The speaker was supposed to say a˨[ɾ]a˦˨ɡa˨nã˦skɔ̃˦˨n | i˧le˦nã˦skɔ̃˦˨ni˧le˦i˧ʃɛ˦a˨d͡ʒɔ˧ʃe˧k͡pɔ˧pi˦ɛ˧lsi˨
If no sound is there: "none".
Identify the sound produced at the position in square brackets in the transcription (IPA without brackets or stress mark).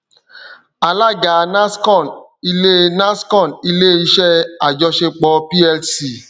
l